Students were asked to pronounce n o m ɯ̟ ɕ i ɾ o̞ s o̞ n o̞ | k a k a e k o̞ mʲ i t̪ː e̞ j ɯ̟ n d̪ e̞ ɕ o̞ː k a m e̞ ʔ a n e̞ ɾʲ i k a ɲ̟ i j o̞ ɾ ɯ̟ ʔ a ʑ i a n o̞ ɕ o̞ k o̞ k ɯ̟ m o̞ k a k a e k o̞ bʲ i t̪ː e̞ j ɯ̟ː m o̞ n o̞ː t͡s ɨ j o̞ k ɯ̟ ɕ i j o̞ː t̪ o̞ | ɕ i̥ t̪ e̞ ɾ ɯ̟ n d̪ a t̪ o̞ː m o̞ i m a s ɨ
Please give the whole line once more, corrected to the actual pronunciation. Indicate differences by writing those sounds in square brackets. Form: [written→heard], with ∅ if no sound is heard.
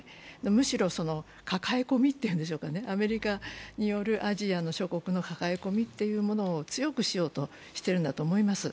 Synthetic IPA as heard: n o m ɯ̟ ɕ i ɾ o̞ s o̞ n o̞ | k a k a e k o̞ mʲ i t̪ː e̞ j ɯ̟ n d̪ e̞ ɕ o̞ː k a [m→n] e̞ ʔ a [n→m] e̞ ɾʲ i k a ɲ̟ i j o̞ ɾ ɯ̟ ʔ a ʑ i a n o̞ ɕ o̞ k o̞ k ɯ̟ [m→n] o̞ k a k a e k o̞ [bʲ→mʲ] i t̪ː e̞ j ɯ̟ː m o̞ n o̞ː t͡s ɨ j o̞ k ɯ̟ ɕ i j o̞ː t̪ o̞ | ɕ i̥ t̪ e̞ ɾ ɯ̟ n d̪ a t̪ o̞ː m o̞ i m a s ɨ